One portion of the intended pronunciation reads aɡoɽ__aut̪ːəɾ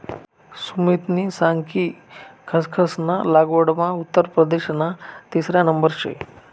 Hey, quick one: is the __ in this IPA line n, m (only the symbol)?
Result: m